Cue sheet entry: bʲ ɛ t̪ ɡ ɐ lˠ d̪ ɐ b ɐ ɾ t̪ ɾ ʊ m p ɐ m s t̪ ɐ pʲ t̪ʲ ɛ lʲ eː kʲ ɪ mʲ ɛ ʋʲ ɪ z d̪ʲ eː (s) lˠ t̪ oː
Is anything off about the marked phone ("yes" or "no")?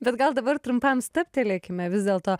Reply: yes